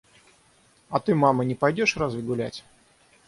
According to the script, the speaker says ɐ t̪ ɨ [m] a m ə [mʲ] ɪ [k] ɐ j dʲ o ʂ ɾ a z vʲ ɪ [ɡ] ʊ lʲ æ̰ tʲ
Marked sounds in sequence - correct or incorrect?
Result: correct, incorrect: nʲ, incorrect: p, correct

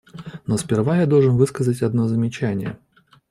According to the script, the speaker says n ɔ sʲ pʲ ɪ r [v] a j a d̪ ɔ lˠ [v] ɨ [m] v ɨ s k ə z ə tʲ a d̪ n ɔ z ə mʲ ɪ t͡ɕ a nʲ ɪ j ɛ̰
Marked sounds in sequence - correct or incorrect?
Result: correct, incorrect: ʐ, incorrect: n

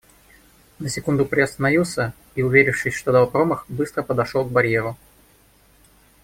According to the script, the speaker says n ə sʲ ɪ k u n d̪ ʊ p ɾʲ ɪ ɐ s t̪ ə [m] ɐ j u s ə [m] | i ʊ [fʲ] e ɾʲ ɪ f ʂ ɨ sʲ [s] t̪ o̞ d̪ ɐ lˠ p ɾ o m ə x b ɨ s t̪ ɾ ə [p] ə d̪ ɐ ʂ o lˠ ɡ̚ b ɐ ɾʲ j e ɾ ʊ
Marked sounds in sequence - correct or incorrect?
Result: incorrect: n, incorrect: none, incorrect: vʲ, incorrect: ʂ, correct

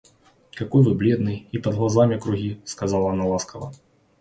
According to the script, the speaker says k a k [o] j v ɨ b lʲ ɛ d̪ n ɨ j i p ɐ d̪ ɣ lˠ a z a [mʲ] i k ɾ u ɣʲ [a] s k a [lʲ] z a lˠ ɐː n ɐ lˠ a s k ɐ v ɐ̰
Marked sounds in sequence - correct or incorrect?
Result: incorrect: ɔ, correct, incorrect: i, incorrect: none

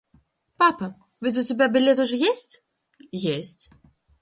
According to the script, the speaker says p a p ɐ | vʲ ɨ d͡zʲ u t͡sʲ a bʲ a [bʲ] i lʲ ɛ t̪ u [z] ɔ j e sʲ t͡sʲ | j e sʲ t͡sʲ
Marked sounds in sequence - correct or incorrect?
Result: correct, incorrect: ʐ

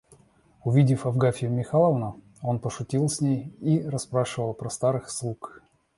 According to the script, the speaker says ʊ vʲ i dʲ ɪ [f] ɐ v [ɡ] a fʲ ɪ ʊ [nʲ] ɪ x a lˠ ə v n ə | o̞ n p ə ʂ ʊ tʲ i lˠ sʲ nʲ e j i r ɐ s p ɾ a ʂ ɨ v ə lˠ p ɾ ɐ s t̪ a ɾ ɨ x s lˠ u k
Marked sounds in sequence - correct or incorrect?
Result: correct, correct, incorrect: mʲ

